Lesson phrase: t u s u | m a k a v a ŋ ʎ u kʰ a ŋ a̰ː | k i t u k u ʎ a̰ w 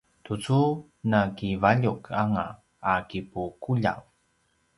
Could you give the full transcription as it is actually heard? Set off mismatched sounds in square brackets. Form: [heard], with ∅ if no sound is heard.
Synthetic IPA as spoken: t u [t͡s] u | [n] a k [i] v a [∅] ʎ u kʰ a ŋ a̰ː | k i [p] u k u ʎ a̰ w